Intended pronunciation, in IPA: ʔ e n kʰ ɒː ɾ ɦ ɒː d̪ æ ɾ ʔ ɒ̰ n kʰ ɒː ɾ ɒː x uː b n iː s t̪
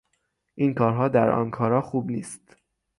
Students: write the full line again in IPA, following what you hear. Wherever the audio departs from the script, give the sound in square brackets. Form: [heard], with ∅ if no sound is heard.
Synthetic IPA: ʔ [i] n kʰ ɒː ɾ ɦ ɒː d̪ æ ɾ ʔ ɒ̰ n kʰ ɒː ɾ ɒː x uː b n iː s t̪